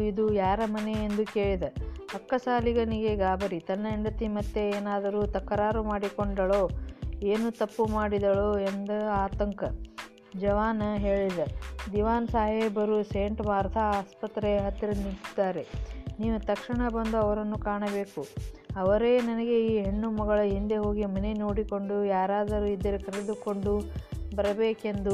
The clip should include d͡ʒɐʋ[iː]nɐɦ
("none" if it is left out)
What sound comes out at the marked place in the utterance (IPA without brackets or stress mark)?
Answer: aː